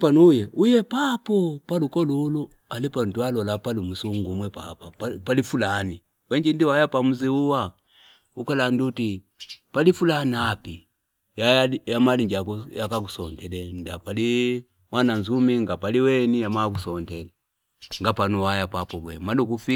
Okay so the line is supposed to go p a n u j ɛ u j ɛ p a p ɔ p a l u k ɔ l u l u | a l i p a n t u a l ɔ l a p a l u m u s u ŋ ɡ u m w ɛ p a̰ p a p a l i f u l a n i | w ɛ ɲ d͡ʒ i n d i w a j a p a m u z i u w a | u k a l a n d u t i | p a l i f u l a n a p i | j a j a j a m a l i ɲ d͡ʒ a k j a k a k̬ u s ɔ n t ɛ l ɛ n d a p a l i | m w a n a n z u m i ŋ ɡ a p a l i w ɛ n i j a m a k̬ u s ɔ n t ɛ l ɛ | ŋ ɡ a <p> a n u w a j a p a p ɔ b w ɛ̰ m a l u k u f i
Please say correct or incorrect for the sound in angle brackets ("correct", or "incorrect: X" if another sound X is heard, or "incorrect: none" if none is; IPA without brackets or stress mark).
correct